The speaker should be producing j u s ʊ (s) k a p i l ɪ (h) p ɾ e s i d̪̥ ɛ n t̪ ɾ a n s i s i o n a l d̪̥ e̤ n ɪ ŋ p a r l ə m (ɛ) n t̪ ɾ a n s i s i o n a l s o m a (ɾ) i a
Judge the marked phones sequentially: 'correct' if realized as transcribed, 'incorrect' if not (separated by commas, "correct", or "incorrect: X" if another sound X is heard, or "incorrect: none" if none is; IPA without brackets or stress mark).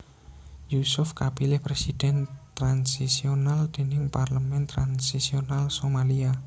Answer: incorrect: f, correct, correct, incorrect: l